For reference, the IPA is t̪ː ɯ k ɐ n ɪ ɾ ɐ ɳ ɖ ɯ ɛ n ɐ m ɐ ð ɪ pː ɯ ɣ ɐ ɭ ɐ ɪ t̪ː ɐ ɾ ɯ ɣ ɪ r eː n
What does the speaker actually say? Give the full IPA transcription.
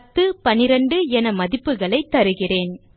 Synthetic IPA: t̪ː ɯ p ɐ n ɪ ɾ ɐ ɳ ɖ ɯ ɛ n ɐ m ɐ ð ɪ pː ɯ ɣ ɐ ɭ ɐ ɪ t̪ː ɐ ɾ ɯ ɣ ɪ r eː n